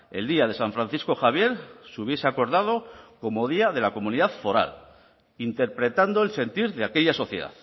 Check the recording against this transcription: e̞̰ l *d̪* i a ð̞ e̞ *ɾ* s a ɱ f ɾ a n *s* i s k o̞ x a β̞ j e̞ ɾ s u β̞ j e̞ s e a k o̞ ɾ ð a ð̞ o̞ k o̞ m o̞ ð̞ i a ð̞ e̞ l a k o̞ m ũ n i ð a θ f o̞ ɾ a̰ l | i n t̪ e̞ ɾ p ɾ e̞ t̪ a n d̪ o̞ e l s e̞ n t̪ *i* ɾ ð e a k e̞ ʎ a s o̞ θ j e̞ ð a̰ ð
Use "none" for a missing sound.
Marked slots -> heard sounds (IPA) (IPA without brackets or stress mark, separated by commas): d̪, none, θ, i